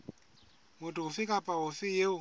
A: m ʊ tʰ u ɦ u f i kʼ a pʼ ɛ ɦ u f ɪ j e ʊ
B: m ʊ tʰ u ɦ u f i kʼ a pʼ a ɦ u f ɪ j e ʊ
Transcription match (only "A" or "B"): B